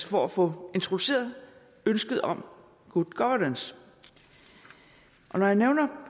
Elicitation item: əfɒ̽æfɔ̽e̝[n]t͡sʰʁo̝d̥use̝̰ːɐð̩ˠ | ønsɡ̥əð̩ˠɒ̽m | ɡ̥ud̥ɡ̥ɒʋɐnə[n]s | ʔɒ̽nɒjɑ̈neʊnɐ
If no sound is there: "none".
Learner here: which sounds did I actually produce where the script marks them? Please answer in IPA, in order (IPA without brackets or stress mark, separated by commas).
n, n